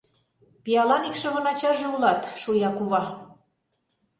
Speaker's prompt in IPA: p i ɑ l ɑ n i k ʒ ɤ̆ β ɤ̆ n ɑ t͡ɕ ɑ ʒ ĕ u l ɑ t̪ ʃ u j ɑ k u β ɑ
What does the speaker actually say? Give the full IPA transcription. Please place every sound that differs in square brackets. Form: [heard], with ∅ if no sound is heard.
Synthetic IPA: p i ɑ l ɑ n i k [ʃ] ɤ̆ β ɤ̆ n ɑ t͡ɕ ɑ ʒ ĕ u l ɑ t̪ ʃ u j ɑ k u β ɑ